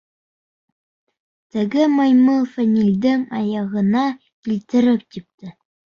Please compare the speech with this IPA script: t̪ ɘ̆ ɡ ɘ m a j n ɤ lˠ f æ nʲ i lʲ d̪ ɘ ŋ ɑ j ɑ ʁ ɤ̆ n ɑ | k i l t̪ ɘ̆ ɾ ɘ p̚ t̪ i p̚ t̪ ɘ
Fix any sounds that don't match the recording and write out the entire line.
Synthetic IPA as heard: t̪ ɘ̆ ɡ ɘ m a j m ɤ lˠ f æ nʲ i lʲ d̪ ɘ ŋ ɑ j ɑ ʁ ɤ̆ n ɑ | k i l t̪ ɘ̆ ɾ ɘ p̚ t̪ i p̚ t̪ ɘ